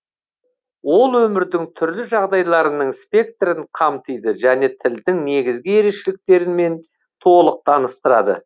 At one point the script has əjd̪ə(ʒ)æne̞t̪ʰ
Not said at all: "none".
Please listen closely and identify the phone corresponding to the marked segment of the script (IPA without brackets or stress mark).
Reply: ʒ